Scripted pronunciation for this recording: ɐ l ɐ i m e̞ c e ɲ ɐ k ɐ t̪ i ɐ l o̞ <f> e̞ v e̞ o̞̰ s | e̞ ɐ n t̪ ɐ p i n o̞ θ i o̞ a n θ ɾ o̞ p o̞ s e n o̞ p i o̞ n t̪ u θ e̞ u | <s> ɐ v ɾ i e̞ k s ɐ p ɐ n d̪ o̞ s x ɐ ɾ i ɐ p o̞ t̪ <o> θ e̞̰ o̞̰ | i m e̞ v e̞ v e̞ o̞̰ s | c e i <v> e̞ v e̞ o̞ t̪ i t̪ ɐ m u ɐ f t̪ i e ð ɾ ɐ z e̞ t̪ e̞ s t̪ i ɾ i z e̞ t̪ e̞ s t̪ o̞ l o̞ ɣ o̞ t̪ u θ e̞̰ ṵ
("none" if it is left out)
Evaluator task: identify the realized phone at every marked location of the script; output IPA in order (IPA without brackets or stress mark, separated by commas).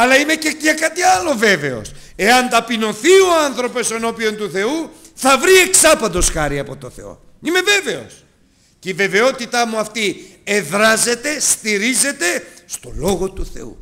v, θ, o, v